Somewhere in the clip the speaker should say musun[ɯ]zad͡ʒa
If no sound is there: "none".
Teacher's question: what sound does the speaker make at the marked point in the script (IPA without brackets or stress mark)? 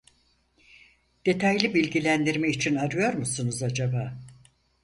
u